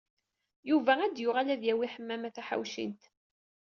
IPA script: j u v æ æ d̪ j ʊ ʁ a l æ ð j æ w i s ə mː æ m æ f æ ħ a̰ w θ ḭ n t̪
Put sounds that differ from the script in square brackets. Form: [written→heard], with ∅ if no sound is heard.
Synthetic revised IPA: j u v æ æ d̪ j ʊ ʁ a l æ ð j æ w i [s→ħ] ə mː æ m æ [f→θ] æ ħ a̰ w [θ→ʃ] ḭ n t̪

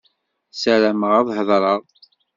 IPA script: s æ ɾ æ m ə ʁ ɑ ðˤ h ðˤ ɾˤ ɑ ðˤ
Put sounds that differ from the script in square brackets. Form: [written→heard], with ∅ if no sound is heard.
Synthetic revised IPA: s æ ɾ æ m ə ʁ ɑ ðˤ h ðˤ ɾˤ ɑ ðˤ

